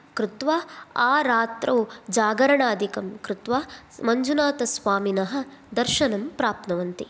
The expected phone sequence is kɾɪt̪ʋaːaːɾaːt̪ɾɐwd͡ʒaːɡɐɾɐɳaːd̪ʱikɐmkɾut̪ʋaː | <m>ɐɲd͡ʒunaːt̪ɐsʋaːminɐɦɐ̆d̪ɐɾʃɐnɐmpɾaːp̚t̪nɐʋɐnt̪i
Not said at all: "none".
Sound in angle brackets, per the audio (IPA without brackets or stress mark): m